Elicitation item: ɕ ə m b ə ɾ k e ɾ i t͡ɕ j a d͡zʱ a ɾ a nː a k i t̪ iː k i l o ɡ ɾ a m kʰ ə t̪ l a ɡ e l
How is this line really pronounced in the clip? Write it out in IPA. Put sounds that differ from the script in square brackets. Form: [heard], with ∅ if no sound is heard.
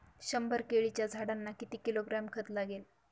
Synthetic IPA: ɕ ə m b ə ɾ k e [ɭ] i t͡ɕ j a d͡zʱ a [ɽ] a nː a k i t̪ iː k i l o ɡ ɾ a m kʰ ə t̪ l a ɡ e l